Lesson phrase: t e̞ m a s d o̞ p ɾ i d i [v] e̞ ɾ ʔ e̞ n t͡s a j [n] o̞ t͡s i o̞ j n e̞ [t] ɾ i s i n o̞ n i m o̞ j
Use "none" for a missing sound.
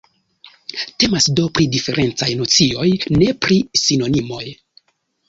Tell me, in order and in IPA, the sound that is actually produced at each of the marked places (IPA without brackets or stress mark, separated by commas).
f, n, p